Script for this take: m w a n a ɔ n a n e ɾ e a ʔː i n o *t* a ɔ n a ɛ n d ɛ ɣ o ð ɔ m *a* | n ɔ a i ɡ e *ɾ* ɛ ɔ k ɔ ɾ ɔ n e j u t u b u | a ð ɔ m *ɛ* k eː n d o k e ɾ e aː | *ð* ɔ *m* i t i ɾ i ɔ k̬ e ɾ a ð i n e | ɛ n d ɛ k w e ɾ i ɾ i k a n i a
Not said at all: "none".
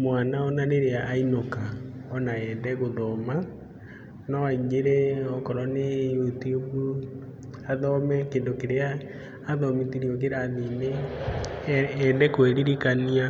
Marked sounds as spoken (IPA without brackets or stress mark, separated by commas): k, a, ɾ, ɛ, ð, m